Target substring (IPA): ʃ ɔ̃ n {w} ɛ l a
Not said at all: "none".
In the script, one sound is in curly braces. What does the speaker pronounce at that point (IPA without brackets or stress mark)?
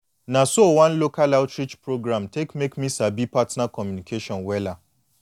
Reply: w